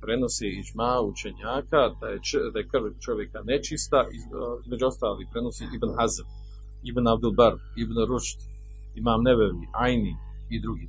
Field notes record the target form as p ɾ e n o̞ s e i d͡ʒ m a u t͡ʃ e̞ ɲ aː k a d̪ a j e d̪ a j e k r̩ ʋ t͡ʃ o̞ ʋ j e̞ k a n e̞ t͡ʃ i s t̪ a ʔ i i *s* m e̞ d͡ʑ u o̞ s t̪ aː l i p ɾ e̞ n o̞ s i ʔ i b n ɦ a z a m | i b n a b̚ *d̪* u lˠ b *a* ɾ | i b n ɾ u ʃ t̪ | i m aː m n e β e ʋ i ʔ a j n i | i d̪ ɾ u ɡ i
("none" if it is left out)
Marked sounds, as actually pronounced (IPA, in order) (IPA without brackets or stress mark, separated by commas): z, d̪, a